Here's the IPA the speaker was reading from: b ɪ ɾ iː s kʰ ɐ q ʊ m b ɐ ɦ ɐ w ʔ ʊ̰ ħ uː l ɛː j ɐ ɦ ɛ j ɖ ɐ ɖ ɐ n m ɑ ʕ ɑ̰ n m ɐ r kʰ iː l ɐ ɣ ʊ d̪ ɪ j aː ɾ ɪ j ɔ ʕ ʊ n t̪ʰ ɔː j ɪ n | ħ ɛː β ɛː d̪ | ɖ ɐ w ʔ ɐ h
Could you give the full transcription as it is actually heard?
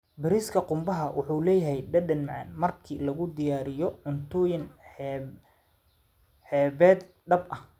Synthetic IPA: b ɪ ɾ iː s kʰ ɐ q ʊ m b ɐ ɦ ɐ w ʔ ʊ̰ ħ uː l ɛː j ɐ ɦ ɛ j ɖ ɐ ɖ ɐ n m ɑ ʕ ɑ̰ n m ɐ r kʰ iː l ɐ ɣ ʊ d̪ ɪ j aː ɾ ɪ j ɔ ʕ ʊ n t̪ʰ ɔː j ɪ n | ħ ɛː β ɛː d̪ | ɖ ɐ b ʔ ɐ h

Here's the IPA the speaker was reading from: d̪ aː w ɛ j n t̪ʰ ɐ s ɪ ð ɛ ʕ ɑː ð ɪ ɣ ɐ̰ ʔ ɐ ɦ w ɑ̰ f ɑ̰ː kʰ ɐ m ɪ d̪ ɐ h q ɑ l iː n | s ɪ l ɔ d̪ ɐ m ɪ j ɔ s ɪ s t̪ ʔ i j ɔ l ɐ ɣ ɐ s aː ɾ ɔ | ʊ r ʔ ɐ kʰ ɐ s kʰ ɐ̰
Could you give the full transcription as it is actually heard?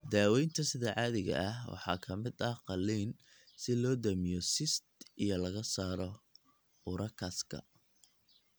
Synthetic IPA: d̪ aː w ɛ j n t̪ʰ ɐ s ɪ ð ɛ ʕ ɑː ð ɪ ɣ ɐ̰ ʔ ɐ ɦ w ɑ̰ ħ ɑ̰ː kʰ ɐ m ɪ d̪ ɐ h q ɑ l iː n | s ɪ l ɔː d̪ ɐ m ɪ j ɔ s ɪ s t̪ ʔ i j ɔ l ɐ ɣ ɐ s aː ɾ ɔ | ʊ ɾ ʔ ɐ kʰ ɐ s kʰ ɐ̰

